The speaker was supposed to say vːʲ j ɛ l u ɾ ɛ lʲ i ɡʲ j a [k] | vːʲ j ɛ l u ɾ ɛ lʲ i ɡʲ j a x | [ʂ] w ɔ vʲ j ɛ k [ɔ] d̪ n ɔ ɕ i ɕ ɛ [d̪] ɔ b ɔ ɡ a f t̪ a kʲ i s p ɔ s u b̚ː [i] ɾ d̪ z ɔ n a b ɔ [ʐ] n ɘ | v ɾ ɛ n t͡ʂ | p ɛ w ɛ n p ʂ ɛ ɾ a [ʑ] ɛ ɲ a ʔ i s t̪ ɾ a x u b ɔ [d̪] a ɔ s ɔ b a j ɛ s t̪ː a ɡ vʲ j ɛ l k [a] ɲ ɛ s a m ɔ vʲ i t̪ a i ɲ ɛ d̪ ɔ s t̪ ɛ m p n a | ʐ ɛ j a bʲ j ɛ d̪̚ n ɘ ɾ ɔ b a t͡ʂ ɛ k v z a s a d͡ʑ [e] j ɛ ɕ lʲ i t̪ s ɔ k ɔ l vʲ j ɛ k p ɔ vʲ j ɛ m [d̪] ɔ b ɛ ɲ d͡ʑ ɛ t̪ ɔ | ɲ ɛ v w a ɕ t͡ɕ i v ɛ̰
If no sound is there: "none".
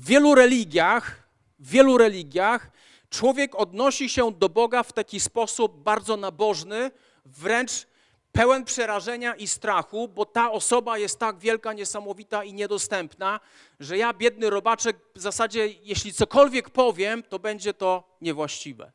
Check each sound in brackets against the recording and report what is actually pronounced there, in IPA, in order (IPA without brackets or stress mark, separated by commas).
x, t͡ʂ, ɔ, d̪, a, ʐ, ʐ, t̪, a, ɛ, t̪